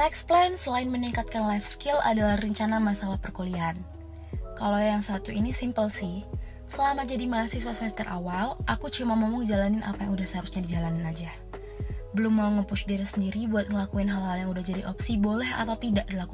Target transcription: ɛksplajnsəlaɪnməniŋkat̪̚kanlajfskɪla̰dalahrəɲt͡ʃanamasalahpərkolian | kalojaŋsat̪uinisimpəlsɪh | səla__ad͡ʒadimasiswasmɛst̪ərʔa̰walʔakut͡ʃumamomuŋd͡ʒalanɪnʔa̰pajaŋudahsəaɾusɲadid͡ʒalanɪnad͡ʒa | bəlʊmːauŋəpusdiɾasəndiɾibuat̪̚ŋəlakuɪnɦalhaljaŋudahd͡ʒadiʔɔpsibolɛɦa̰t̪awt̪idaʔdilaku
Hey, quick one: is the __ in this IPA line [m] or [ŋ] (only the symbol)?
m